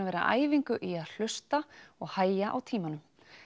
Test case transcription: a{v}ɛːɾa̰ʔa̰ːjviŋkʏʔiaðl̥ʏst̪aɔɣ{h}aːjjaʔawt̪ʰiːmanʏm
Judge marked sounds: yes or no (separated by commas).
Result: yes, yes